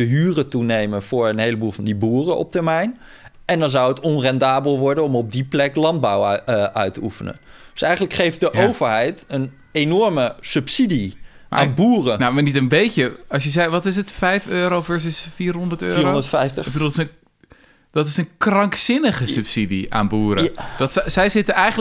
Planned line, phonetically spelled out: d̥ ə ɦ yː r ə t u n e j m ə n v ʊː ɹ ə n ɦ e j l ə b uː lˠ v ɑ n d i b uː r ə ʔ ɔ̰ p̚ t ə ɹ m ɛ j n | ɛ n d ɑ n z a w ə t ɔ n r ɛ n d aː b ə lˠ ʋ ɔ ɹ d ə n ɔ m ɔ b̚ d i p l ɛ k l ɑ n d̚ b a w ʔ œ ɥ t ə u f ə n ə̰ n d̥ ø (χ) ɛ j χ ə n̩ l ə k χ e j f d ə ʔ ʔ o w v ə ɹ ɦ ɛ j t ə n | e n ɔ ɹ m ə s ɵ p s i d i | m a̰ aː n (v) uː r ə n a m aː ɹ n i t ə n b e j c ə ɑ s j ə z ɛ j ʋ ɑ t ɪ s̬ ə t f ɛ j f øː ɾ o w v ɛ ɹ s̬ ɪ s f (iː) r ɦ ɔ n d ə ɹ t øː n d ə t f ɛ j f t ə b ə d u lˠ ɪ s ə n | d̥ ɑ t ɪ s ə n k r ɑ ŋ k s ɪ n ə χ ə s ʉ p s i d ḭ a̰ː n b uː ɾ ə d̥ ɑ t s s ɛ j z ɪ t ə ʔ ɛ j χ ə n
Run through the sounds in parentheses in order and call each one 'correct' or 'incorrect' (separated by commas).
incorrect, incorrect, correct